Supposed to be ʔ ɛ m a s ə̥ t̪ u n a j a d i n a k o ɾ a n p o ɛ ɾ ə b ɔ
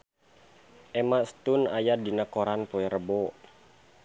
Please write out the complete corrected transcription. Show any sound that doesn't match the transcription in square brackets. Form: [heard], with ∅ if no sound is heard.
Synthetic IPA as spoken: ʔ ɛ m a s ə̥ t̪ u n a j a d i n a k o ɾ a n p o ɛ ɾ ə b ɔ